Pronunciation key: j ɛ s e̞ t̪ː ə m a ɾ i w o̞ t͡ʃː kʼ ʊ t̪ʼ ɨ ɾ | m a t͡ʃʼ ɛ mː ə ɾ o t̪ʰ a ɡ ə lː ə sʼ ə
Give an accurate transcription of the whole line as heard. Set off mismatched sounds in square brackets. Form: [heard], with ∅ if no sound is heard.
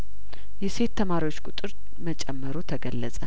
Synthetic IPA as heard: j ɛ s e̞ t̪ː ə m a ɾ i w o̞ t͡ʃː kʼ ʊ t̪ʼ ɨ ɾ | m [ə] t͡ʃʼ ɛ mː ə ɾ o t̪ʰ [ə] ɡ ə lː ə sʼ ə